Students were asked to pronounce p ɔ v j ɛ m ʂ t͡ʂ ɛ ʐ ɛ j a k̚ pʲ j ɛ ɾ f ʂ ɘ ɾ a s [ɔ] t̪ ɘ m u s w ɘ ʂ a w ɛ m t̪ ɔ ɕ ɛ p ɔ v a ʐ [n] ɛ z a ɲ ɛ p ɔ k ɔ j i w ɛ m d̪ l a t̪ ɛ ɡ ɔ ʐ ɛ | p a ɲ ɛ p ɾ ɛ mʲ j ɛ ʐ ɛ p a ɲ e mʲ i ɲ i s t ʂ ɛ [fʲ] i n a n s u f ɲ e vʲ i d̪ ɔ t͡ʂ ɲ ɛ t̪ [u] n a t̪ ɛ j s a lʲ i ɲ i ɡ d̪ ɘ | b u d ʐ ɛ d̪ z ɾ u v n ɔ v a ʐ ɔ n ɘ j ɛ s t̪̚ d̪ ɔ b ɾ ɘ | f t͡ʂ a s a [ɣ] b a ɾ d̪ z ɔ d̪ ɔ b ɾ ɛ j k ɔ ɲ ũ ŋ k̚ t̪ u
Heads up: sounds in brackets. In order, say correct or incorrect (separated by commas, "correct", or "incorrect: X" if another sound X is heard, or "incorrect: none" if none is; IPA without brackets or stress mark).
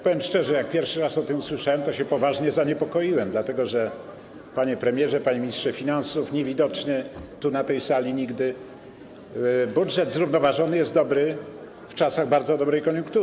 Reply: correct, incorrect: ɲ, correct, correct, correct